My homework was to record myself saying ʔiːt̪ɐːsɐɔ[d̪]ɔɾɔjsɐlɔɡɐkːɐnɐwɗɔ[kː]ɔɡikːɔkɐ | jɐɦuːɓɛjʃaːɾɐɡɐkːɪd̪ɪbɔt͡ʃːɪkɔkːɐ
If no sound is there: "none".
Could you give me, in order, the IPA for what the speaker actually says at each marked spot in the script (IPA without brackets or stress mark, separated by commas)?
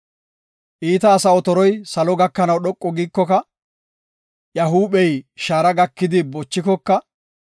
t̪, kʼː